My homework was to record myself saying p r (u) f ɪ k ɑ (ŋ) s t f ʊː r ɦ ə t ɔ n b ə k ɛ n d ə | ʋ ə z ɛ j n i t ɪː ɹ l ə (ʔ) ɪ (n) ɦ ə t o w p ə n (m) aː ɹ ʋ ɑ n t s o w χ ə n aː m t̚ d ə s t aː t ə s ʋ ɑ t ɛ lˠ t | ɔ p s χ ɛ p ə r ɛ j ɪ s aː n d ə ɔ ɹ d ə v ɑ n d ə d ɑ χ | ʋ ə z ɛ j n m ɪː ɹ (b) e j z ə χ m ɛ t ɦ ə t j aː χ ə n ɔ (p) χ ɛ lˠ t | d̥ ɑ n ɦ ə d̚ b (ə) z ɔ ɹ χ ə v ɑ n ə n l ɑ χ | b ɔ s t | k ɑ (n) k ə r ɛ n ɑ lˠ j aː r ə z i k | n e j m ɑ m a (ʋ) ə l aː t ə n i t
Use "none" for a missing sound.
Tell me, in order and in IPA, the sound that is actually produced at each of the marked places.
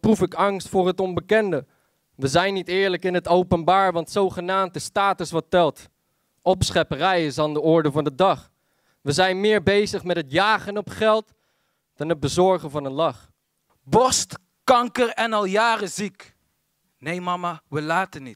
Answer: u, ŋ, k, n, b, b, p, ə, ŋ, ʋ

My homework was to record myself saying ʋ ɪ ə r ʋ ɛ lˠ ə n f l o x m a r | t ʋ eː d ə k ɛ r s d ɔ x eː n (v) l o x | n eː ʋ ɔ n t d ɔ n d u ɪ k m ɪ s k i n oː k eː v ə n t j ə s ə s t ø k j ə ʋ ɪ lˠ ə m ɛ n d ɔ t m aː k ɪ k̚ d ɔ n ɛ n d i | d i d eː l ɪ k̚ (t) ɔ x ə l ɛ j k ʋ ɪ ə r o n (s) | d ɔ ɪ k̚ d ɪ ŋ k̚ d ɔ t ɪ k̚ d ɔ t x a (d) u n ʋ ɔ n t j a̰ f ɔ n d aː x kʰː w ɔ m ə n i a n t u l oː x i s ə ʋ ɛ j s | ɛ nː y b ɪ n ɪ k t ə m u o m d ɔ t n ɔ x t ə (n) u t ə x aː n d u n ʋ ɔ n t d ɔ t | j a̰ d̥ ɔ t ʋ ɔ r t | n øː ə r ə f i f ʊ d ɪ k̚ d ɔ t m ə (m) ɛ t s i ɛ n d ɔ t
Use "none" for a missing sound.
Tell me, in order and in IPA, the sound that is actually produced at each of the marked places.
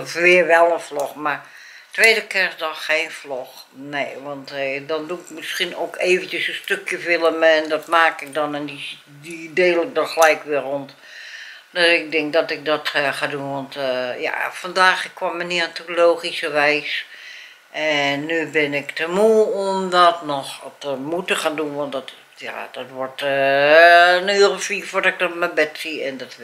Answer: f, d, t, d, m, b

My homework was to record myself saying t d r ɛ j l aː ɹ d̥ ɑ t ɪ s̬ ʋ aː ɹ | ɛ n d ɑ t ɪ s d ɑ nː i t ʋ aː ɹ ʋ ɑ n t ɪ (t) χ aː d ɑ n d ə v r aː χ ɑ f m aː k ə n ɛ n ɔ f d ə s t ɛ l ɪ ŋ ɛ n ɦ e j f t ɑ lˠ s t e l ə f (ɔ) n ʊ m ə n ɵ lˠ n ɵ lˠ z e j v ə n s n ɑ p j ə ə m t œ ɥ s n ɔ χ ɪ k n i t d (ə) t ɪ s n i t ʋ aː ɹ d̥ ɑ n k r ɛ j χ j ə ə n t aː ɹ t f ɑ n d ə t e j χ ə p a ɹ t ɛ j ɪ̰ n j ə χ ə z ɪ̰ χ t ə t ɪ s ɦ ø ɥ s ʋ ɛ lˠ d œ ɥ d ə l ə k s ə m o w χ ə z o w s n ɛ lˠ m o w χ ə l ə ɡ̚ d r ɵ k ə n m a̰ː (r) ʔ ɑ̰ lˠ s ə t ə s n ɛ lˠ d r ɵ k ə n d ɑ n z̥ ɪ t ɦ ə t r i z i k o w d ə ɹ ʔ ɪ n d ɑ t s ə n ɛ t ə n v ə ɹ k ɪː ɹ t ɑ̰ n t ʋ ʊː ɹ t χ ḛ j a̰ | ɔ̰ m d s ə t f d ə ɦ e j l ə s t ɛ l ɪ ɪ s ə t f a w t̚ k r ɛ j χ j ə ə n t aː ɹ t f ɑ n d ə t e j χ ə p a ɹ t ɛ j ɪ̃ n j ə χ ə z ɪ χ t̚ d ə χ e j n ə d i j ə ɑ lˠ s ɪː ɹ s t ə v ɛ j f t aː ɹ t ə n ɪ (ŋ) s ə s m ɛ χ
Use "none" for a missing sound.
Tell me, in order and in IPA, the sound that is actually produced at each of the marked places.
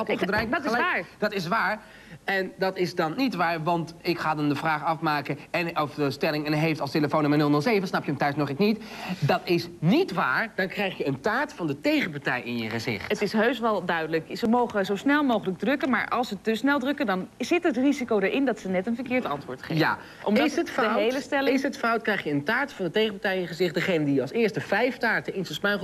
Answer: k, o, ɑ, ɹ, n

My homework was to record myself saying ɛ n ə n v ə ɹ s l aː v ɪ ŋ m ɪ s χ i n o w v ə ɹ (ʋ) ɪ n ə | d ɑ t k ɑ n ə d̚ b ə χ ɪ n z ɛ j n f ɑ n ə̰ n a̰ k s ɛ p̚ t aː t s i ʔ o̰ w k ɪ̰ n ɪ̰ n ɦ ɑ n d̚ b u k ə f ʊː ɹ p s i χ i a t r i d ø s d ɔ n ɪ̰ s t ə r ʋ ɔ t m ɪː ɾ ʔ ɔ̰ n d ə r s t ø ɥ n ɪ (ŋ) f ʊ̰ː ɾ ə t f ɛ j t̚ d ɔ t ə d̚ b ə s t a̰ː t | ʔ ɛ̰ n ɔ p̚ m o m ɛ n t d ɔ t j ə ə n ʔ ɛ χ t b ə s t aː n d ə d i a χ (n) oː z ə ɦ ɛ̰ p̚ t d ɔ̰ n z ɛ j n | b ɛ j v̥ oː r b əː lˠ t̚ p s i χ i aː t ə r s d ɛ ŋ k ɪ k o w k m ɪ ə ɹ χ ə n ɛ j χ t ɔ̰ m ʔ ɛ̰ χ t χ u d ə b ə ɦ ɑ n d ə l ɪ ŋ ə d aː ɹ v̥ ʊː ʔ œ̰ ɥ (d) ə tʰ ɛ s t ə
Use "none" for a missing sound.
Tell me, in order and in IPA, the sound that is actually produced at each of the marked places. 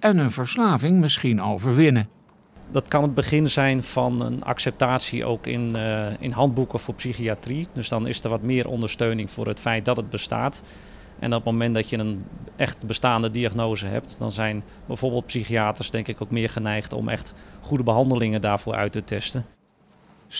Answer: ʋ, ŋ, n, t

